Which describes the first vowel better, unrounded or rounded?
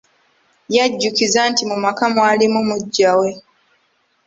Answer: unrounded